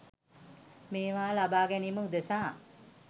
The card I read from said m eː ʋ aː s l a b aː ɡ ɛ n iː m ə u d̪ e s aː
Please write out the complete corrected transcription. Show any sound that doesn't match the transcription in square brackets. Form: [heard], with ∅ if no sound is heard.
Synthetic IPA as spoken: m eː ʋ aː [∅] l a b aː ɡ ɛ n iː m ə u d̪ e s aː